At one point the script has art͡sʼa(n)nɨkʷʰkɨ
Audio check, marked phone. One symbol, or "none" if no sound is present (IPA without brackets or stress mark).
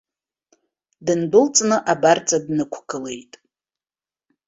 d